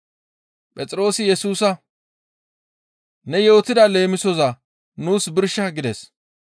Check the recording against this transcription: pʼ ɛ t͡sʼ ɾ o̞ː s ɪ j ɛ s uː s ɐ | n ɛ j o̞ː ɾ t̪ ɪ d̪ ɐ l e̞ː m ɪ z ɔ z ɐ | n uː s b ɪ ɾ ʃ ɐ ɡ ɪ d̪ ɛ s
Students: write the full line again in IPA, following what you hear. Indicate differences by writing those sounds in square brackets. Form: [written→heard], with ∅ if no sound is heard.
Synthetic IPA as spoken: pʼ ɛ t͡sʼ ɾ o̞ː s ɪ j ɛ s uː s ɐ | n ɛ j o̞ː [ɾ→∅] t̪ ɪ d̪ ɐ l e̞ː m ɪ [z→s] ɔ z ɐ | n uː s b ɪ ɾ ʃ ɐ ɡ ɪ d̪ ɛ s